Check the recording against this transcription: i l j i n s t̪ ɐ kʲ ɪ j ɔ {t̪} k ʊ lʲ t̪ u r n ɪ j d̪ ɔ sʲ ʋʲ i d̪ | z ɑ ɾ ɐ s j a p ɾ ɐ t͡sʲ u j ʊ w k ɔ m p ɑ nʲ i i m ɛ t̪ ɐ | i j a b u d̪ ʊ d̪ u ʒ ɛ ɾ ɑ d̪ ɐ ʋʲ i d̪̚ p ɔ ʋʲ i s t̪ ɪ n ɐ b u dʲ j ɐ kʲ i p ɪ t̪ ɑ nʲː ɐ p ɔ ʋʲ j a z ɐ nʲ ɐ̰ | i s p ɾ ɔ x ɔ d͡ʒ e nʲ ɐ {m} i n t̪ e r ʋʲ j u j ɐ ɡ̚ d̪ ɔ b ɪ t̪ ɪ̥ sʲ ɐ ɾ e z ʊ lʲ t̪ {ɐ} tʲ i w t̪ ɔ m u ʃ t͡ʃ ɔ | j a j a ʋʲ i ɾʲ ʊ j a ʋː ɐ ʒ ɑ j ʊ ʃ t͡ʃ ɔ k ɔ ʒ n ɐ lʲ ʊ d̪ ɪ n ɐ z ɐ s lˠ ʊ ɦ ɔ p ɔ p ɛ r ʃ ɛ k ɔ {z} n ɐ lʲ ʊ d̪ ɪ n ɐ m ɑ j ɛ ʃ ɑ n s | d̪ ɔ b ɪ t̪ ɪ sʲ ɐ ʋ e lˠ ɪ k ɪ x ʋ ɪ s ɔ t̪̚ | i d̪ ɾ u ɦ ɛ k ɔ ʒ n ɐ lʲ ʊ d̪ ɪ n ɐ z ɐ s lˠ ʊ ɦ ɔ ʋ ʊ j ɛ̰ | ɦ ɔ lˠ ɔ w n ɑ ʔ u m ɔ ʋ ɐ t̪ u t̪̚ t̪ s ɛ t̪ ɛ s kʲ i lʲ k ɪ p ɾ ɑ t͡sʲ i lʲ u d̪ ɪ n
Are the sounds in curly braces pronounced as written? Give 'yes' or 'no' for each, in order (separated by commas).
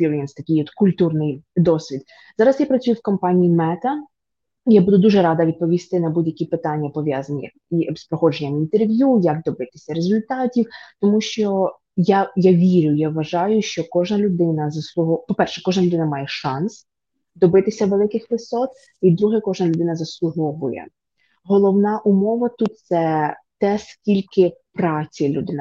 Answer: yes, yes, no, no